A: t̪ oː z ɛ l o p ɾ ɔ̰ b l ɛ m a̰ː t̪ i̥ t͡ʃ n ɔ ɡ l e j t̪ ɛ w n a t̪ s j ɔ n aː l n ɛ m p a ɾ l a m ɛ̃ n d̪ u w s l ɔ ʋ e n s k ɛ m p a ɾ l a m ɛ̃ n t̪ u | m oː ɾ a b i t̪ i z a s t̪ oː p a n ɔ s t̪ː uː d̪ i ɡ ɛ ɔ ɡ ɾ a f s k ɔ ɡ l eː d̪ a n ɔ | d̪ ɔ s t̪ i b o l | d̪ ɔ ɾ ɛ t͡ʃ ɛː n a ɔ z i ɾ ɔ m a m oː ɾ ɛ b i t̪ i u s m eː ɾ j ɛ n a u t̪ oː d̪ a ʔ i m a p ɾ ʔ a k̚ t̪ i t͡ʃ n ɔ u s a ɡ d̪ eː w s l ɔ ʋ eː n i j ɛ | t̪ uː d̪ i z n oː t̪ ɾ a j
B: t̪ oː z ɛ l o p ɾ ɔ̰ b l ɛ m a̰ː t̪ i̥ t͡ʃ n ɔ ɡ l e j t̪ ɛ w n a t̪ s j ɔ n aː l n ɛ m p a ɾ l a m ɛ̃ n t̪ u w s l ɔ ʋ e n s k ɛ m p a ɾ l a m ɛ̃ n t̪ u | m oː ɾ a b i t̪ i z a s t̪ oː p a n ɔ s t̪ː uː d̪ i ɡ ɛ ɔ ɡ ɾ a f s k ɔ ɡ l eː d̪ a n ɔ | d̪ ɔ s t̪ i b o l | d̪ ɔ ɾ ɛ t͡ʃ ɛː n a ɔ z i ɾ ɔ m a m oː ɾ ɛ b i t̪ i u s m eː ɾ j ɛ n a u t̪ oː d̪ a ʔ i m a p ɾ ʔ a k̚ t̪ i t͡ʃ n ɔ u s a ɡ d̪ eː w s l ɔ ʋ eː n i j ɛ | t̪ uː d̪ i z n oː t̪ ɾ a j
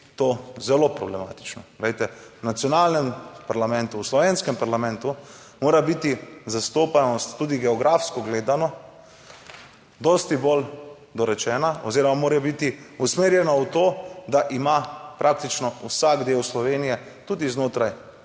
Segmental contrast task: B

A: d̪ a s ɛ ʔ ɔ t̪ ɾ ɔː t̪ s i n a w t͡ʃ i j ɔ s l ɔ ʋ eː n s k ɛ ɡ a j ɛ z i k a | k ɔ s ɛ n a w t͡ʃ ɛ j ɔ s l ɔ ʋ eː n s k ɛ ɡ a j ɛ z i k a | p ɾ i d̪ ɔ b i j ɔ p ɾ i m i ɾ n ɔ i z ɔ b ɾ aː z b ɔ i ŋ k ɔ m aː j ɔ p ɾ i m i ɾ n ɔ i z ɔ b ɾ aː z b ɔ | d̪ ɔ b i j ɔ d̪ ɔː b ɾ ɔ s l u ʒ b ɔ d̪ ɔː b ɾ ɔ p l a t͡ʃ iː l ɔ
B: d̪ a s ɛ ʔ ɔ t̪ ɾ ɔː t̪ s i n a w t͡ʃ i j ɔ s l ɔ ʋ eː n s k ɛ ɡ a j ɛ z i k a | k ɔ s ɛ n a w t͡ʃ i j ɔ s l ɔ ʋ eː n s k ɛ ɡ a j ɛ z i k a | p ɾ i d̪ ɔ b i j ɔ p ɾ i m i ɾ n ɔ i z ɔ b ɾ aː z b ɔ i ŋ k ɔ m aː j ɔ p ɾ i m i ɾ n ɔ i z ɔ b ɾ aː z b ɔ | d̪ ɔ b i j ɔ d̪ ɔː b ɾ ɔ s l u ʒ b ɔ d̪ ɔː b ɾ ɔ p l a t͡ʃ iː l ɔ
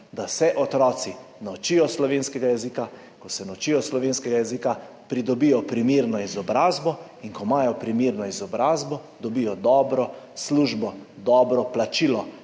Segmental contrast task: B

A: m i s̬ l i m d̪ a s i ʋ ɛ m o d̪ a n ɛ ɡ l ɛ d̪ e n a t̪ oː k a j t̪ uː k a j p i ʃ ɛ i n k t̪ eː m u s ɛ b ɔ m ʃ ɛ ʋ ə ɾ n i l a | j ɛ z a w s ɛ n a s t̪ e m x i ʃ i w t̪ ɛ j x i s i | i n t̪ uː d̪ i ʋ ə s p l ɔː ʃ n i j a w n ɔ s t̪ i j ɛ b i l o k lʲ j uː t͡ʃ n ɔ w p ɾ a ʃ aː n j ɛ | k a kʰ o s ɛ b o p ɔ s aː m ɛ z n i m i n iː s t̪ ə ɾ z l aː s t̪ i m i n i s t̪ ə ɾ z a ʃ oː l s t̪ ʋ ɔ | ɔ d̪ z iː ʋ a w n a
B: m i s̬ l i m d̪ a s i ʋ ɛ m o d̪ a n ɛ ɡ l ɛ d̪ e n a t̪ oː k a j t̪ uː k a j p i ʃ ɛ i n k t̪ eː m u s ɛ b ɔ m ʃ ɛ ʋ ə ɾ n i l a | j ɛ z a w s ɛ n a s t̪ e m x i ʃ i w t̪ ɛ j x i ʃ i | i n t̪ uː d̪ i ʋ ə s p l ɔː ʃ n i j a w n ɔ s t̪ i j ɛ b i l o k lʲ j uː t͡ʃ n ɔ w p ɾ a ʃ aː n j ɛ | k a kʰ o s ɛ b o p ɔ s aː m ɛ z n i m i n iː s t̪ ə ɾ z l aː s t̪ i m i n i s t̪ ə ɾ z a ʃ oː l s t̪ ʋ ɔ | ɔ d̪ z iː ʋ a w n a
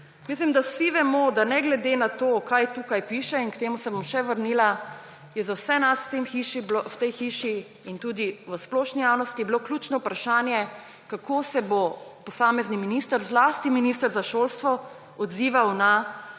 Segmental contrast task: B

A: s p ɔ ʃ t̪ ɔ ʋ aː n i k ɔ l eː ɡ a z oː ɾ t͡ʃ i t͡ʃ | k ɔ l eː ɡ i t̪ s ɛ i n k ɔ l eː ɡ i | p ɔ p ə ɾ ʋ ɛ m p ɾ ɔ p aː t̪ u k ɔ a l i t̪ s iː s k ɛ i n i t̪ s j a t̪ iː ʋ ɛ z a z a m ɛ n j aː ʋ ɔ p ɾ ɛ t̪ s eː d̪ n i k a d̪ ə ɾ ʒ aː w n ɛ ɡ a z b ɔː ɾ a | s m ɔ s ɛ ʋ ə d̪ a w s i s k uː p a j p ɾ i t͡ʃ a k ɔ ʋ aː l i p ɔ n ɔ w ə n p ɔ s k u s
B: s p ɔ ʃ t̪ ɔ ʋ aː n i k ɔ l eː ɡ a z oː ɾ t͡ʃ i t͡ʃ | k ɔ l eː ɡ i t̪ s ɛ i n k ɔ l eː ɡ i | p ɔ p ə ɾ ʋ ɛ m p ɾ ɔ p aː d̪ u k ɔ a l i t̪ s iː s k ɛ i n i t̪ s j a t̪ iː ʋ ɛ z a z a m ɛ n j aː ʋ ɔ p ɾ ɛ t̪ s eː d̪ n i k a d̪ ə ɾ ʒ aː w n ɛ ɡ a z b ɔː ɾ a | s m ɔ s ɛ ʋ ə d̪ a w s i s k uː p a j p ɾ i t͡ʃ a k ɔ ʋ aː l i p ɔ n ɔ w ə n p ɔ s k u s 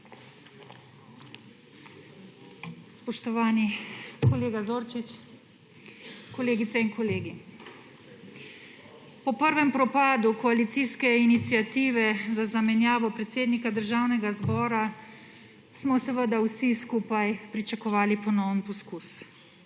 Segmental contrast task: B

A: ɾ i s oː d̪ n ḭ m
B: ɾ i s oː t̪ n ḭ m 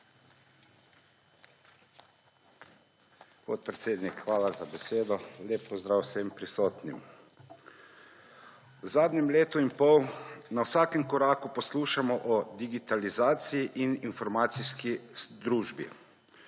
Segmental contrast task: B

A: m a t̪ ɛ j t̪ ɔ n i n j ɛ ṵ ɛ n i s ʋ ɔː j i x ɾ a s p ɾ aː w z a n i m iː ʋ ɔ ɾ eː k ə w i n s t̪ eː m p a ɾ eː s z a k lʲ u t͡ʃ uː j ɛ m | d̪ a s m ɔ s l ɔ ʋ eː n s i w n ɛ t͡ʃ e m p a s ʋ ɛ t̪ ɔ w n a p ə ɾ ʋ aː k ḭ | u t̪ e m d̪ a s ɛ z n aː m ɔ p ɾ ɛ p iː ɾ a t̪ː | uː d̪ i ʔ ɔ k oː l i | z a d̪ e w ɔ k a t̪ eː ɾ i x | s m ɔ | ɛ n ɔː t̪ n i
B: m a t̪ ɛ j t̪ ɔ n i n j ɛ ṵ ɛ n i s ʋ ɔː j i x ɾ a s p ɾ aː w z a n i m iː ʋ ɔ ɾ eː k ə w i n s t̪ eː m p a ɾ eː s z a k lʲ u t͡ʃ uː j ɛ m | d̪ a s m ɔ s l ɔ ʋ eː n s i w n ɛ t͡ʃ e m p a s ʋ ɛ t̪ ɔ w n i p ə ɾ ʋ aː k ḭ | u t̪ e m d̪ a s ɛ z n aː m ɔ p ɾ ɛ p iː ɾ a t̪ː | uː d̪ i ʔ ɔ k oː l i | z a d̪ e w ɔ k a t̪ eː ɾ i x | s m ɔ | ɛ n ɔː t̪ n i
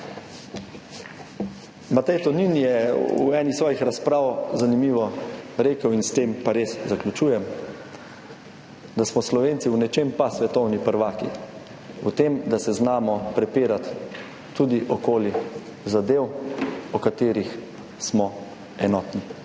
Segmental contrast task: B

